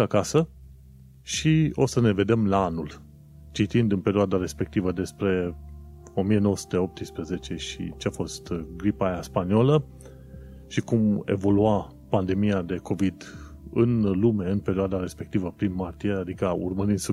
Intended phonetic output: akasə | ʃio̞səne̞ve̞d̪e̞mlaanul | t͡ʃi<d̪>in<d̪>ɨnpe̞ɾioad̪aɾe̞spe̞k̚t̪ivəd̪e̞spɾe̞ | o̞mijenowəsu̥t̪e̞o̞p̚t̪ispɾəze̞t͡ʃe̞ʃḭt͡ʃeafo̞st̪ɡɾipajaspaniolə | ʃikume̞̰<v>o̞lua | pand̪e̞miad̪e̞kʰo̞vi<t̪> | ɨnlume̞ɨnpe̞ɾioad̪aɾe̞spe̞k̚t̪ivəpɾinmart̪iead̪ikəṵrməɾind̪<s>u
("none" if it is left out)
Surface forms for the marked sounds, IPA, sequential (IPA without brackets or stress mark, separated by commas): t̪, d̪, v, d̪, s